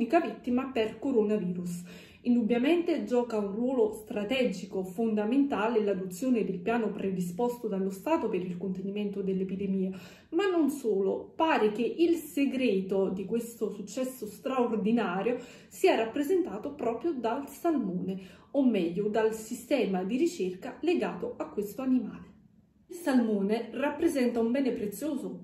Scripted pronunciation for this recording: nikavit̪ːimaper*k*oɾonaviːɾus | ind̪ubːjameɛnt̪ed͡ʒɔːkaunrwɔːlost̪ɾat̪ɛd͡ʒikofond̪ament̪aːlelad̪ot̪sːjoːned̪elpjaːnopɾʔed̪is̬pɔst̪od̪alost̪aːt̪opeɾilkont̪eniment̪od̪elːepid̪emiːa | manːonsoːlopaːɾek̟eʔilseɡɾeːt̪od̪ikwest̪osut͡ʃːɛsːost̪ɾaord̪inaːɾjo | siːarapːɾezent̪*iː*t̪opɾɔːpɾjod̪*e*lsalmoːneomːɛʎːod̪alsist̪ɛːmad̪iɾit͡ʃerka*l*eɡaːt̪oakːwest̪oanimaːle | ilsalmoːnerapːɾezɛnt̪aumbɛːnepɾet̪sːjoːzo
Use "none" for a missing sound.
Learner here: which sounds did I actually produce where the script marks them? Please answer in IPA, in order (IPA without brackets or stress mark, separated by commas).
k, aː, a, l